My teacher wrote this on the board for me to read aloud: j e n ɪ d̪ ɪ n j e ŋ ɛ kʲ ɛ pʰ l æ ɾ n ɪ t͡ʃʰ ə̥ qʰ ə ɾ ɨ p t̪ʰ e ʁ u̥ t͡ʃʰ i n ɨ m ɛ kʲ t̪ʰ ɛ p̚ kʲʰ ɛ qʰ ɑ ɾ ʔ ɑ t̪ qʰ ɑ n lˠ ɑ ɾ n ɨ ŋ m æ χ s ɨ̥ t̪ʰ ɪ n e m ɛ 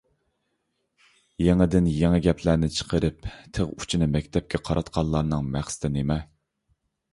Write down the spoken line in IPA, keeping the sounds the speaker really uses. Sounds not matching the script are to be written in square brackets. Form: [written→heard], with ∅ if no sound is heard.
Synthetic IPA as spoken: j e [n→ŋ] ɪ d̪ ɪ n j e ŋ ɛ [kʲ→ɡʲ] ɛ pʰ l æ ɾ n ɪ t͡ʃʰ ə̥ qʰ ə ɾ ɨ p t̪ʰ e ʁ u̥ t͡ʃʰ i n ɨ m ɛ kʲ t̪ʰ ɛ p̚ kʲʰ ɛ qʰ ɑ ɾ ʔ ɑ t̪ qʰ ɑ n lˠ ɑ ɾ n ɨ ŋ m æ χ s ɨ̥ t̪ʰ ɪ n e m ɛ